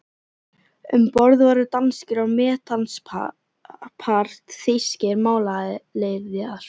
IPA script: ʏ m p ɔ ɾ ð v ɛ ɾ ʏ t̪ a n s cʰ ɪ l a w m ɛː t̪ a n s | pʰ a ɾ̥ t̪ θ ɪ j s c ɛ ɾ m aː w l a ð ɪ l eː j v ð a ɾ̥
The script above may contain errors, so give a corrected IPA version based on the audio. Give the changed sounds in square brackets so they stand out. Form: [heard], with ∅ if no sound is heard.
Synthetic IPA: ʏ m p ɔ ɾ ð v [a] ɾ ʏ t̪ a n s [c] ɪ [ɾ] a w m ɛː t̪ a n s | pʰ a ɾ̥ t̪ θ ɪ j s c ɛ ɾ m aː w l a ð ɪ l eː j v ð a ɾ̥